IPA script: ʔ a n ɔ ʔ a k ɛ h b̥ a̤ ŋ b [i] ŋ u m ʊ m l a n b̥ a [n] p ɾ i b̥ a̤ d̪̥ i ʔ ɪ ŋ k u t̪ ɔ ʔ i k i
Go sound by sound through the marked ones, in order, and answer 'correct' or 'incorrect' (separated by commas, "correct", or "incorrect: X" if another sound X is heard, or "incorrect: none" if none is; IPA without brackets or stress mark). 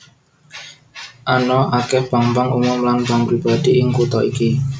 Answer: incorrect: a, incorrect: ŋ